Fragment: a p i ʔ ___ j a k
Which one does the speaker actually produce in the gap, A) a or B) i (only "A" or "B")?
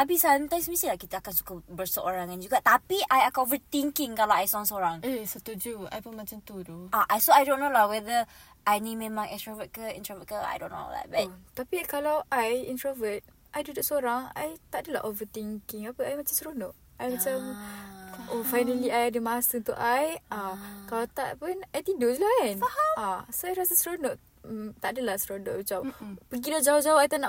A